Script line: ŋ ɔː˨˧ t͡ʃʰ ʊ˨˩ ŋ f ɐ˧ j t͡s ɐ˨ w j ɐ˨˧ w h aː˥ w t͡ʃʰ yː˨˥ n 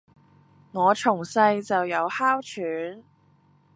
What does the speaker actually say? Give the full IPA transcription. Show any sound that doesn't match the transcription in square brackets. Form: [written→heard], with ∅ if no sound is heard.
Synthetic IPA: ŋ ɔː˨˧ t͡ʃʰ ʊ˨˩ ŋ [f→s] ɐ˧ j t͡s ɐ˨ w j ɐ˨˧ w h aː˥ w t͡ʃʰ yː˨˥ n